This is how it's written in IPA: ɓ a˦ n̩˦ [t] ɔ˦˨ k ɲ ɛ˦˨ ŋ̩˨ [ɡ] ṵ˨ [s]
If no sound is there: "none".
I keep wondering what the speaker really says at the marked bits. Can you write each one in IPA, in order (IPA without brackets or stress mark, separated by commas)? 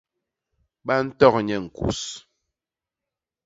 t, k, s